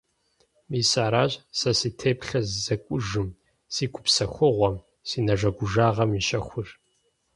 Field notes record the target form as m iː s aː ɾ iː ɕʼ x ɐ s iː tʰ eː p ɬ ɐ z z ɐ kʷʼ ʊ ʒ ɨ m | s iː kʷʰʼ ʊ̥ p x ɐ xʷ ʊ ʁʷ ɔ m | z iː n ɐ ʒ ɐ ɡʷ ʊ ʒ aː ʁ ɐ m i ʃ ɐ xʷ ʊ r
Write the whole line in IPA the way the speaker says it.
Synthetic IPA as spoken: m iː s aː ɾ aː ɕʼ s ɐ s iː tʰ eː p ɬ ɐ z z ɐ kʷʼ ʊ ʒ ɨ m | s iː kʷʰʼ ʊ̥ p s ɐ xʷ ʊ ʁʷ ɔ m | s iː n ɐ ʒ ɐ ɡʷ ʊ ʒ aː ʁ ɐ m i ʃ ɐ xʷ ʊ r